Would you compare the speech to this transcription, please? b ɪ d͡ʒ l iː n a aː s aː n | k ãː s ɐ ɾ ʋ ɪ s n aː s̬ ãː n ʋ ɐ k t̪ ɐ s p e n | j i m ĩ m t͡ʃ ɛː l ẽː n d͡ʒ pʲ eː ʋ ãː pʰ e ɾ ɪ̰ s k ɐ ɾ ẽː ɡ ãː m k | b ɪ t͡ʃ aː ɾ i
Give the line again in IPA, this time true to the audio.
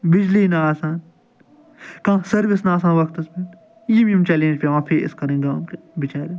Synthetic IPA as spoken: b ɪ d͡ʒ l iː n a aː s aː n | k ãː s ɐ ɾ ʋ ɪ s n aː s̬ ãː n ʋ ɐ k t̪ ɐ s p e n | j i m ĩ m t͡ʃ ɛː l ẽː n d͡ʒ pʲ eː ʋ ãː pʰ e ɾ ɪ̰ s k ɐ ɾ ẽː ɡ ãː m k | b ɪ t͡ʃ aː ɾ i